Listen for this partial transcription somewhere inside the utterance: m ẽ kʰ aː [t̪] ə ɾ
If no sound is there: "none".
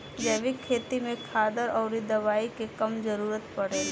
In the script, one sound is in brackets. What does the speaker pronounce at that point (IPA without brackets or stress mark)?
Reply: d̪